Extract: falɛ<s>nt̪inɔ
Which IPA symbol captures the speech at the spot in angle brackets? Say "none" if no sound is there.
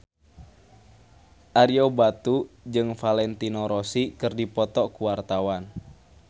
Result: none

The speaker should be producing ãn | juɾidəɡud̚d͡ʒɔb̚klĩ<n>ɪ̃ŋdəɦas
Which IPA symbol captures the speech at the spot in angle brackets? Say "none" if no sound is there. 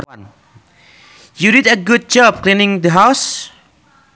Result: n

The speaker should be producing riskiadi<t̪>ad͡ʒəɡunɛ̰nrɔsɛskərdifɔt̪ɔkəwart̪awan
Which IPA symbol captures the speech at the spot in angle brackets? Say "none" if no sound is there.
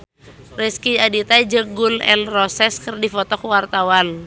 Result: t̪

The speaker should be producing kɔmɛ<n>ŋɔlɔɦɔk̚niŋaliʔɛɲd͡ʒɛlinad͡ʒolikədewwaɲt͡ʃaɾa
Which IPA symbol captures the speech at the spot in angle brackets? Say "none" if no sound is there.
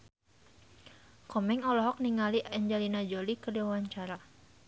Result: none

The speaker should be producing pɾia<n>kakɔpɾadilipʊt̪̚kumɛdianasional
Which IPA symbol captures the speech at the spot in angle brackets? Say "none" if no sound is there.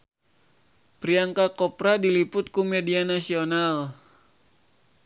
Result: ŋ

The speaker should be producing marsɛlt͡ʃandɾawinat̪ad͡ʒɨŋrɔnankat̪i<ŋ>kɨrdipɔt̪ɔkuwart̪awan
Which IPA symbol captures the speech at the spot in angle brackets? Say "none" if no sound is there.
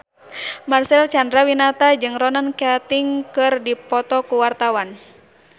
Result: ŋ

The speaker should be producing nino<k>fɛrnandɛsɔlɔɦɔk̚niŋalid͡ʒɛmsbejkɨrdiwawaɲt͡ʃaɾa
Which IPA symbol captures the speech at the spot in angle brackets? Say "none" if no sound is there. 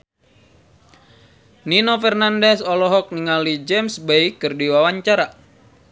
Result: none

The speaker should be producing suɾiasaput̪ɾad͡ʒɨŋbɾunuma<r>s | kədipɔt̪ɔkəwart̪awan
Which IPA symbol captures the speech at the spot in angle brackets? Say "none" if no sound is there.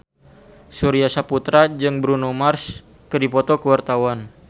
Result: r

